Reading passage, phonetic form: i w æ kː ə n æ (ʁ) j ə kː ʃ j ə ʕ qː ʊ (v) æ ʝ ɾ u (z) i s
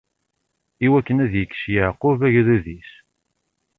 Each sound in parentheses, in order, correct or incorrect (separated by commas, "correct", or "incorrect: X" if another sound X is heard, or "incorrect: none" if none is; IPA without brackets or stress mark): incorrect: ð, correct, incorrect: ð